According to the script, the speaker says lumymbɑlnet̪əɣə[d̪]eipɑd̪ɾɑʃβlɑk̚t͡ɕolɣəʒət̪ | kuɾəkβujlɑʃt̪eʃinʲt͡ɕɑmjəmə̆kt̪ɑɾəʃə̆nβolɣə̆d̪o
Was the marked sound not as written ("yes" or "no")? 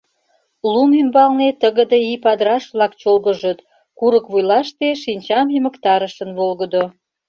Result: no